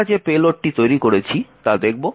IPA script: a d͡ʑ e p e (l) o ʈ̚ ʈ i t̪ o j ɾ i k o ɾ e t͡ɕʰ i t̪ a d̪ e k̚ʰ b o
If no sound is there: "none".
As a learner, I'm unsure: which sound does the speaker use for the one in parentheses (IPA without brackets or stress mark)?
l